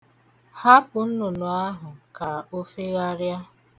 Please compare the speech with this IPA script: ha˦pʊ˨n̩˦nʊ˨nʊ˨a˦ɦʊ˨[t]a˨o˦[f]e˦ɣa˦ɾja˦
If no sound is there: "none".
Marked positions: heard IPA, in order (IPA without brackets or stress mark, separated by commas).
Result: k, f